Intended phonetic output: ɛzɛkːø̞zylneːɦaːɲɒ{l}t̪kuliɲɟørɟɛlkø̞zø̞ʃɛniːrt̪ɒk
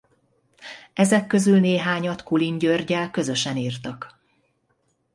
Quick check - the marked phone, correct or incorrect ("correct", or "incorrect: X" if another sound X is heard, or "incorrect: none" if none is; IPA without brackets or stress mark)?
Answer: incorrect: none